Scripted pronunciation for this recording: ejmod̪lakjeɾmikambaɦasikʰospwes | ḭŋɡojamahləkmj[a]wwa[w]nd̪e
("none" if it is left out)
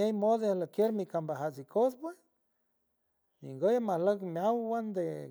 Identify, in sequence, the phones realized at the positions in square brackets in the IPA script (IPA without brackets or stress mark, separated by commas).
a, none